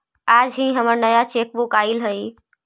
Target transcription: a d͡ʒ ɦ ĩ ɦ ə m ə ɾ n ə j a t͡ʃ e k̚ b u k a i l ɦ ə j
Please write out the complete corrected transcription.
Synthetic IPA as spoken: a d͡ʒ ɦ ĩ ɦ ə m ə ɾ n ə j a t͡ʃ e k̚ b u k a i l ɦ ə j